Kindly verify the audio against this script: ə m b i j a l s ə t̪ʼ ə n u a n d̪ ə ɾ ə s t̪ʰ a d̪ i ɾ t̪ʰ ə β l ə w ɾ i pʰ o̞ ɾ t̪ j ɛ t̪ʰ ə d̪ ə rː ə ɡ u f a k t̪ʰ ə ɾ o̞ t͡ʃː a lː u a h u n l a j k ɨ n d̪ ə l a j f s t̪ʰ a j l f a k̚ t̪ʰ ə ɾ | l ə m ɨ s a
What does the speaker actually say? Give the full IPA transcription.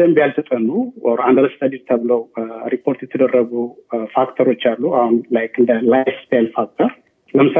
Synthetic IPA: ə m b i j a l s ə t̪ʼ ə n u a n d̪ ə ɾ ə s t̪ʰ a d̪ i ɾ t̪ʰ ə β l ə w ɾ i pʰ o̞ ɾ t̪ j ɛ t̪ʰ ə d̪ ə rː ə ɡ u f a k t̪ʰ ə ɾ o̞ t͡ʃː a lː u a h u n l a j k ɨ n d̪ ə l a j f s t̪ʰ a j l f a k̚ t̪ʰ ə ɾ | l ə m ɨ s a